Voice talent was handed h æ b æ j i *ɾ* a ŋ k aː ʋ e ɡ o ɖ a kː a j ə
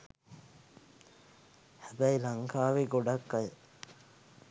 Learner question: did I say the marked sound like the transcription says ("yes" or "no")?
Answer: no